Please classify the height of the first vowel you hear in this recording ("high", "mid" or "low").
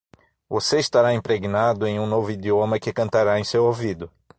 mid